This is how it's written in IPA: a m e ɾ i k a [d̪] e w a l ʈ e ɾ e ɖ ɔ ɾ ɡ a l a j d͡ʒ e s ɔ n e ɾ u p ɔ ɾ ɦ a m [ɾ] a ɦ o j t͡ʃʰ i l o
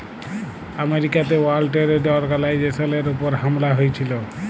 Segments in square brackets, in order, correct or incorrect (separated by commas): incorrect, incorrect